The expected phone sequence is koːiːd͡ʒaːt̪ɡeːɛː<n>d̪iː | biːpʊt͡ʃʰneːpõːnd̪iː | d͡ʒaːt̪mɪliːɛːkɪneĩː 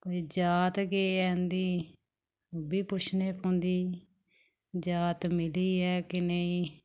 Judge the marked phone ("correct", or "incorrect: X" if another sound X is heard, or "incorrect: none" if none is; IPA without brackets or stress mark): correct